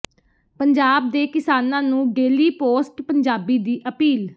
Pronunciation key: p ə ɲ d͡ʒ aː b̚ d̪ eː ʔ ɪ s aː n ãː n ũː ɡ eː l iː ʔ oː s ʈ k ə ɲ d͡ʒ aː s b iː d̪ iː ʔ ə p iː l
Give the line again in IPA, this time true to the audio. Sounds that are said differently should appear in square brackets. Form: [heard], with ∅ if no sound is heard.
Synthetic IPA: p ə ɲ d͡ʒ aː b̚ d̪ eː [k] ɪ s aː n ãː n ũː ɡ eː l iː [p] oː s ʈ [p] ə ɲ d͡ʒ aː [∅] b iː d̪ iː ʔ ə p iː l